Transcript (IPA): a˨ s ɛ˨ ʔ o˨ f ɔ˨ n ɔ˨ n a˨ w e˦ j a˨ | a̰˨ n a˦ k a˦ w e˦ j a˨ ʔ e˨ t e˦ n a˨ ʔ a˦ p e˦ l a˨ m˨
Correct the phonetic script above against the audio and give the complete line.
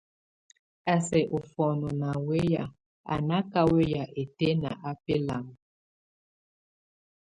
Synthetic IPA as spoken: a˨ s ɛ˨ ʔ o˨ f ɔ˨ n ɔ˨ n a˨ w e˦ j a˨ | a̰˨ n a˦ k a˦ w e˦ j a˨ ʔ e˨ t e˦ n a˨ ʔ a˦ p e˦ l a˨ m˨